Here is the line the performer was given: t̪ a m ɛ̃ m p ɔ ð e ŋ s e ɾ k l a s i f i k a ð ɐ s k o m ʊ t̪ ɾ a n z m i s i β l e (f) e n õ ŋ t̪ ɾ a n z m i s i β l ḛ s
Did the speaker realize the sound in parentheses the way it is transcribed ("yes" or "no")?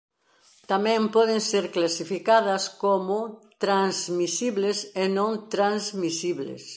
no